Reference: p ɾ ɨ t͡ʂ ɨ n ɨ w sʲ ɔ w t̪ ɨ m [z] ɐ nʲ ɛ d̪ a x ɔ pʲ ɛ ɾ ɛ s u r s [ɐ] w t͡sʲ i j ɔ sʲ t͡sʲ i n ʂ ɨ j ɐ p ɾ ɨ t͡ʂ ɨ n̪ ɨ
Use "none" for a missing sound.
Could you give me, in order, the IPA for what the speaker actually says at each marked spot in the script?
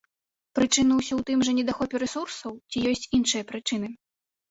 ʐ, ɐ

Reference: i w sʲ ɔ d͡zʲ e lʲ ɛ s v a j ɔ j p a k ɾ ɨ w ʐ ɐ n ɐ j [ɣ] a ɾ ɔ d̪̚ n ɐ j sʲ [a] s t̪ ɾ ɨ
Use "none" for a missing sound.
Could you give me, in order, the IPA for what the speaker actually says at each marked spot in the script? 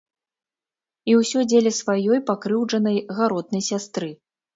ɣ, a

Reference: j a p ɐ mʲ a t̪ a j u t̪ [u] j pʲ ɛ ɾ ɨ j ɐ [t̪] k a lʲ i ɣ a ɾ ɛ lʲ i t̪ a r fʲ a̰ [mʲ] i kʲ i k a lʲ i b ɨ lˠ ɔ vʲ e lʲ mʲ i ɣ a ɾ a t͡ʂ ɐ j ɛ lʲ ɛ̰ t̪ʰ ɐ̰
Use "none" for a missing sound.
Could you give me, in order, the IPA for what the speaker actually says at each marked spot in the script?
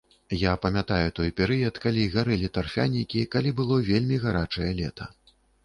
ɔ, t̪, nʲ

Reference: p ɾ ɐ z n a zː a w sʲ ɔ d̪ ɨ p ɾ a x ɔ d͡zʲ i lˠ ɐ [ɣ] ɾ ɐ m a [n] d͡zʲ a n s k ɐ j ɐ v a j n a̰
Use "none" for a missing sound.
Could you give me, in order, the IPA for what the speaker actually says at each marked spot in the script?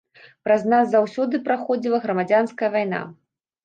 ɣ, none

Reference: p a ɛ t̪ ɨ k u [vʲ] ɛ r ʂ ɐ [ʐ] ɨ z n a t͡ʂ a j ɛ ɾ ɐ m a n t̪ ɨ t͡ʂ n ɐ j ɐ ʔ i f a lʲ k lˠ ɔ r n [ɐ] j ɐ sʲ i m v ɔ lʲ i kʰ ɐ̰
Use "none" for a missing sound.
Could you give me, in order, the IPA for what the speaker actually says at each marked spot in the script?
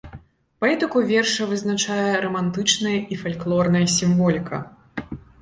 vʲ, v, ɐ

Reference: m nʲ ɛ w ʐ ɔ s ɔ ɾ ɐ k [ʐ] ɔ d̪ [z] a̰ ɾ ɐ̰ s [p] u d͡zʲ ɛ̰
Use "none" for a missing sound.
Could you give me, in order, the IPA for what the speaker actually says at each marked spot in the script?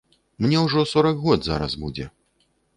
ɣ, z, b

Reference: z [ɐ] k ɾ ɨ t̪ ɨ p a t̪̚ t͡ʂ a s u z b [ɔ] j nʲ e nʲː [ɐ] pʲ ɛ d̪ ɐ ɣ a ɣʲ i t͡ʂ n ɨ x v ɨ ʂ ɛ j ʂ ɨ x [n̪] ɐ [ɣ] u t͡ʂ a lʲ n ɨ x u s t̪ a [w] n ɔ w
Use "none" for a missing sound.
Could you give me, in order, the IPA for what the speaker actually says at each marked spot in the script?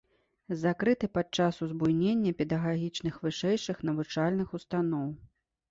a, u, ɐ, n̪, v, none

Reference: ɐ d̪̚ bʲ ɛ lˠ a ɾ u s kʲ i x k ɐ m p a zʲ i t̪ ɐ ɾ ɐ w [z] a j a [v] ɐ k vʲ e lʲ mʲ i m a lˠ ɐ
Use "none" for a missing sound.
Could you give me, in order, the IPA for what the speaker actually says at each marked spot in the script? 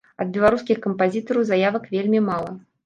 z, v

